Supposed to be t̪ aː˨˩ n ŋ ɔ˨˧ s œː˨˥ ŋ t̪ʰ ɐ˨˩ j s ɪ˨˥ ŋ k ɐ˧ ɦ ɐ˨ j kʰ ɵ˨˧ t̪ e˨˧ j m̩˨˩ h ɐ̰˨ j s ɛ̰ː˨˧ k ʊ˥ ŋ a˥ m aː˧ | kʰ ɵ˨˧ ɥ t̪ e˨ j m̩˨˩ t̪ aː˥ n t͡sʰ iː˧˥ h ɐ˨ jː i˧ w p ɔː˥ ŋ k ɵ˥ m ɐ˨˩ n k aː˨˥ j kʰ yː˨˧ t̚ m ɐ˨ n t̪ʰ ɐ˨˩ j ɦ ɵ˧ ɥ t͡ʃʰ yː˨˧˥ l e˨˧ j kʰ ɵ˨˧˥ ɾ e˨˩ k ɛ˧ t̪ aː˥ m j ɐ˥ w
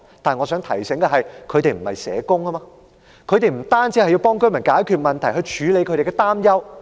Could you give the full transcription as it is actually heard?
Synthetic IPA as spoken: t̪ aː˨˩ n ŋ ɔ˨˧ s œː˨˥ ŋ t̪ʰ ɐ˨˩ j s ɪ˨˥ ŋ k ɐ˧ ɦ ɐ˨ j kʰ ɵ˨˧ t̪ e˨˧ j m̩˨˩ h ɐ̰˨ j s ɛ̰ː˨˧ k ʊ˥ ŋ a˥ m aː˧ | kʰ ɵ˨˧ ɥ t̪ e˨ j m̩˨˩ t̪ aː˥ n t͡s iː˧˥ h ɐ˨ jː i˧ w p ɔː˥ ŋ k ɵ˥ m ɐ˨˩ n k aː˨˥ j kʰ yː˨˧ t̚ m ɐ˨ n t̪ʰ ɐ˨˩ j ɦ ɵ˧ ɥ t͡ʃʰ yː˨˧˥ l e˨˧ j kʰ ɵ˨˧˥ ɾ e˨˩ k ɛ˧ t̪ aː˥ m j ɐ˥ w